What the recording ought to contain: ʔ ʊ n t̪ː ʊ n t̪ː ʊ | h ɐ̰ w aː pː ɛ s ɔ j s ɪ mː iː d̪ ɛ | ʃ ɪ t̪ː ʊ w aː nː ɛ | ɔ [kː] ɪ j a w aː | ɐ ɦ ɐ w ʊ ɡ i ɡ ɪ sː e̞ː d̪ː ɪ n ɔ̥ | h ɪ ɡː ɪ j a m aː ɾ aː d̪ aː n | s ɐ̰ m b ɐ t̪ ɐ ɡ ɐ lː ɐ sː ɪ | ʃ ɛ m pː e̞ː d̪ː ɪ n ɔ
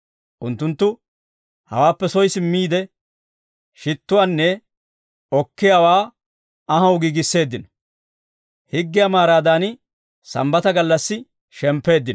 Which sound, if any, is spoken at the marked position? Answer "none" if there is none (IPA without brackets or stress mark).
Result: kː